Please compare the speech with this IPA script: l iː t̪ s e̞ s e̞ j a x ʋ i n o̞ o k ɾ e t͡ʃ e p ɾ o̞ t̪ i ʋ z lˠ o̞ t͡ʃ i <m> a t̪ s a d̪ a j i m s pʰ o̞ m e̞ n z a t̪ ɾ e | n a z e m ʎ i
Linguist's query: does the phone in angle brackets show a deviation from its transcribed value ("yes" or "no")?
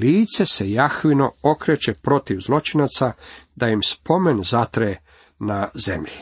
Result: yes